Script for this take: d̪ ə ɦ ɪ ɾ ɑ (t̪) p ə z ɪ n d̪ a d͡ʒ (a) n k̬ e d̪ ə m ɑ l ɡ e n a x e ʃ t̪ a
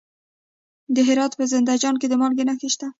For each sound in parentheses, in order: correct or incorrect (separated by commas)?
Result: correct, incorrect